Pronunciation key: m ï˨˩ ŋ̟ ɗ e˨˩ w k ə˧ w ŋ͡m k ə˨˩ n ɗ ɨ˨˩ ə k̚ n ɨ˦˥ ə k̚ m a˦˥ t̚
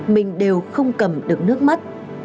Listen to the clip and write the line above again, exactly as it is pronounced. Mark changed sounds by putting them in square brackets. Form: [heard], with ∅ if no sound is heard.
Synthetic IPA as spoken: m ï˨˩ ŋ̟ ɗ e˨˩ w [x] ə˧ w ŋ͡m k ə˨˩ [m] ɗ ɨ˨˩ ə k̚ n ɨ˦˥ ə k̚ m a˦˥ t̚